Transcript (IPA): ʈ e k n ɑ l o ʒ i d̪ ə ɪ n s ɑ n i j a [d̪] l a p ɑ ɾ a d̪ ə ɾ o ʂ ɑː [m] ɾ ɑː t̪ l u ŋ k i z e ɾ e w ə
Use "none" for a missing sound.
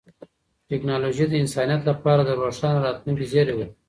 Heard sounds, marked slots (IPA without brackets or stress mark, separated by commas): t̪, n